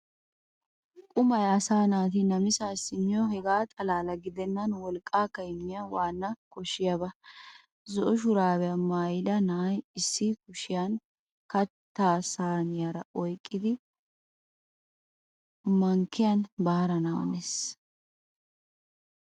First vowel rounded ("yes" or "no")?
yes